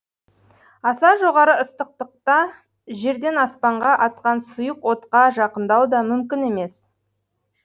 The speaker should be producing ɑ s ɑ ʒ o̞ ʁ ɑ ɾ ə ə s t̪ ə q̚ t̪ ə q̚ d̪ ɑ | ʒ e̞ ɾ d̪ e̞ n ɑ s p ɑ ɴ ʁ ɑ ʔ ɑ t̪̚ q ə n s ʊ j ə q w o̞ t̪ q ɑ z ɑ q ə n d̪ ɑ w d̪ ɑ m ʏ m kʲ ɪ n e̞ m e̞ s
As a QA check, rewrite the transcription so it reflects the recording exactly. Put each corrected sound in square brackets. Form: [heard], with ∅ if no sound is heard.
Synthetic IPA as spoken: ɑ s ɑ ʒ o̞ ʁ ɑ ɾ ə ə s t̪ ə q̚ t̪ ə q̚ [t̪] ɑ | ʒ e̞ ɾ d̪ e̞ n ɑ s p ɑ ɴ ʁ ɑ ʔ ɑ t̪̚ q [ɑ] n s ʊ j ə q w o̞ t̪ q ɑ [ʒ] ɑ q ə n d̪ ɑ w d̪ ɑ m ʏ m kʲ ɪ n e̞ m e̞ s